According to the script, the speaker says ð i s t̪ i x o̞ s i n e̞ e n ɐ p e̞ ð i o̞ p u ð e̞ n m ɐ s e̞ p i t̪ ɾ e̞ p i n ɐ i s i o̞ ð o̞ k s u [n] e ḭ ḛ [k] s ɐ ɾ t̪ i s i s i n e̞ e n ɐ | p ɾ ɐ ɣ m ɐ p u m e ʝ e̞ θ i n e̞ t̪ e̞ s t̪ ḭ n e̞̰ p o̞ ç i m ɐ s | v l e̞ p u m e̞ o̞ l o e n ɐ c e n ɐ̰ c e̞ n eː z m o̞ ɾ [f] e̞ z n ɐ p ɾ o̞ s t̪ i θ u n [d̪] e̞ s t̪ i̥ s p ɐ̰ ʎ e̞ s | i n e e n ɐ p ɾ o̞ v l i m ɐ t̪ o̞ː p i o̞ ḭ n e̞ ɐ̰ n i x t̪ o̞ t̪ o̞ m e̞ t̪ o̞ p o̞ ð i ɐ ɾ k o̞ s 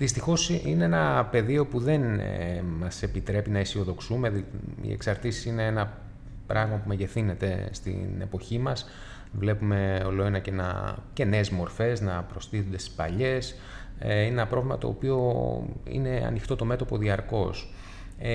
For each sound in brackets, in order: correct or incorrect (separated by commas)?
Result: incorrect, correct, correct, correct